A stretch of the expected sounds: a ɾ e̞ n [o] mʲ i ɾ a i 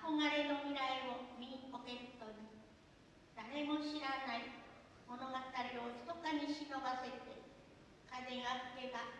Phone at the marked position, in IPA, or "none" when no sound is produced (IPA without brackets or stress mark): o